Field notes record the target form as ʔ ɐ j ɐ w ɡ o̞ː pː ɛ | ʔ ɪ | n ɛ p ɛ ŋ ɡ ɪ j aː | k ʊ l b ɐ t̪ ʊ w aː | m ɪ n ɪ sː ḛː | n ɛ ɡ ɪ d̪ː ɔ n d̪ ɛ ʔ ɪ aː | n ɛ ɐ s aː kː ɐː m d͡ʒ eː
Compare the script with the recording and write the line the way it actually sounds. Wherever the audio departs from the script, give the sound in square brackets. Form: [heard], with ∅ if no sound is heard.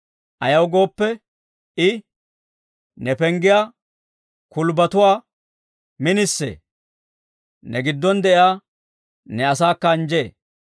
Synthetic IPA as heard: ʔ ɐ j ɐ w ɡ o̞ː pː ɛ | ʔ ɪ | n ɛ p ɛ ŋ ɡ ɪ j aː | k ʊ l b ɐ t̪ ʊ w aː | m ɪ n ɪ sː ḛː | n ɛ ɡ ɪ d̪ː ɔ n d̪ ɛ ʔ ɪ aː | n ɛ ɐ s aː kː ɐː [n] d͡ʒ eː